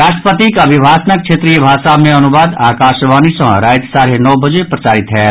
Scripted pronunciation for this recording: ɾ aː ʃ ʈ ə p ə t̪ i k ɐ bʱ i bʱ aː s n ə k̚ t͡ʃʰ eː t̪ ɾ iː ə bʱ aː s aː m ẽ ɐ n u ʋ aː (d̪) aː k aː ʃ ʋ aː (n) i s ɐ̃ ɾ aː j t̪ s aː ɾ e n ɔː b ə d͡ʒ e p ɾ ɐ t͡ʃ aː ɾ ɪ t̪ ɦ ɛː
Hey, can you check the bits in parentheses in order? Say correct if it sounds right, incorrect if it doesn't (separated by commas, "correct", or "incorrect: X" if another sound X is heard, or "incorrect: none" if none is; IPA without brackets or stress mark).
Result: correct, correct